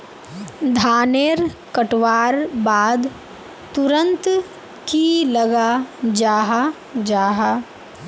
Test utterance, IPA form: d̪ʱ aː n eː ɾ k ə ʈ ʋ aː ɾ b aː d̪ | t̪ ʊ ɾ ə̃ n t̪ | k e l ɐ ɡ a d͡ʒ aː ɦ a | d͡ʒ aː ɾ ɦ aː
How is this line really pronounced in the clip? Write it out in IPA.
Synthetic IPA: d̪ʱ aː n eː ɾ k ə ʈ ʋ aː ɾ b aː d̪ | t̪ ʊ ɾ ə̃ n t̪ | k i l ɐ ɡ a d͡ʒ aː ɦ a | d͡ʒ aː ɦ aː